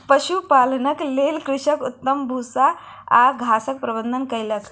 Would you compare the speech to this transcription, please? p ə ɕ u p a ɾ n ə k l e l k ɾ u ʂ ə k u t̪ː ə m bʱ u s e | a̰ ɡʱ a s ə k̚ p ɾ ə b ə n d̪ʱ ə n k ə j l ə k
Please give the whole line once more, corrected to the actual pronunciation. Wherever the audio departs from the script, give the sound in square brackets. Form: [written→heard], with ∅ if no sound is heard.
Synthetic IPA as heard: p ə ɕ u p a [ɾ→l] n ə k l e l k ɾ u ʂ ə k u t̪ː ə m bʱ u s [e→a] | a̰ ɡʱ a s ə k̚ p ɾ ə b ə n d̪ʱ ə n k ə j l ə k